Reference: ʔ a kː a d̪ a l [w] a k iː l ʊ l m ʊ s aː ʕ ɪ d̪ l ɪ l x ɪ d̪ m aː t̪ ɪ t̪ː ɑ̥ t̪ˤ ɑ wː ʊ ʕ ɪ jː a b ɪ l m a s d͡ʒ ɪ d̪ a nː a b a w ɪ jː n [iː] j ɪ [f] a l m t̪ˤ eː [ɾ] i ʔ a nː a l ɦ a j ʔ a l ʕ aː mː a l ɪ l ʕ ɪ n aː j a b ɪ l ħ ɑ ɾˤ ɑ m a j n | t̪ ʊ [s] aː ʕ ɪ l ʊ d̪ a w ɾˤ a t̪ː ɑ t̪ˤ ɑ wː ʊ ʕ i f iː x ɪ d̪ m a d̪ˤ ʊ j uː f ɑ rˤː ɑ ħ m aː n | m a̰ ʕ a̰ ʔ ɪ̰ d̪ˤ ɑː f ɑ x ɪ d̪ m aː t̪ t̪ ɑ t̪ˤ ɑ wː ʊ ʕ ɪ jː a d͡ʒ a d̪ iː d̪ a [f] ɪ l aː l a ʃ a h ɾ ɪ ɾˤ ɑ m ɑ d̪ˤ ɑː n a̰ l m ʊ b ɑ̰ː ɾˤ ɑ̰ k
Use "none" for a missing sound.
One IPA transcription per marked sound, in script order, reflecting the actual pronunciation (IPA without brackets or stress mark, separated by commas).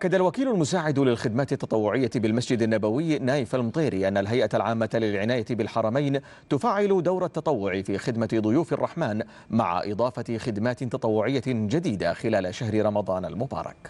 w, aː, f, ɾ, f, x